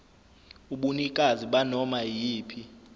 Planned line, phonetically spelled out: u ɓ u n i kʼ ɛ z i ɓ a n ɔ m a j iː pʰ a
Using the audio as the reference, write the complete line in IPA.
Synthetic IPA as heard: u ɓ u n i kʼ a z i ɓ a n ɔ m a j iː pʰ i